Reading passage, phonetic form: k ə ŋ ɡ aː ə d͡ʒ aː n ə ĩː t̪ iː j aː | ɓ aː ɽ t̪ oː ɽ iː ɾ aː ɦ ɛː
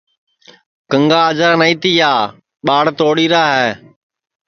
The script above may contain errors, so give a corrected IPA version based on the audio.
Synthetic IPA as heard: k ə ŋ ɡ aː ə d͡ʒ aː n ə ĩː t̪ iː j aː | ɓ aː ɽ t̪ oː ɽ iː ɾ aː ɦ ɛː